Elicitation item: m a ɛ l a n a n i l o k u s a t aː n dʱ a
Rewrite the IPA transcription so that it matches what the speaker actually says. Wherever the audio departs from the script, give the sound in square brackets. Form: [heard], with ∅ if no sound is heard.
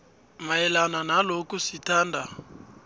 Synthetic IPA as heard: m a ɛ l a n a n [a] l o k u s [i] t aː n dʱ a